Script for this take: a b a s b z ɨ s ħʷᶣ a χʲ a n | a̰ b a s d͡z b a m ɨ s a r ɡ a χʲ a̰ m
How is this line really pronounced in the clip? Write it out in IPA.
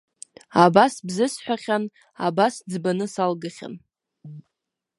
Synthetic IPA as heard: a b a s b z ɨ s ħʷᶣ a χʲ a n | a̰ b a s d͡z b a n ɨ s a l ɡ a χʲ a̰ n